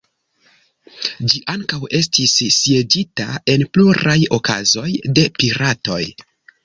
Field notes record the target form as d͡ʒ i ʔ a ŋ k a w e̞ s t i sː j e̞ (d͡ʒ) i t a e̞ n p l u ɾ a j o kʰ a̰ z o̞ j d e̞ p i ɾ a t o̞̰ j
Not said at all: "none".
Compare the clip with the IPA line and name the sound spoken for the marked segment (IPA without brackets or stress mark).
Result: d͡ʒ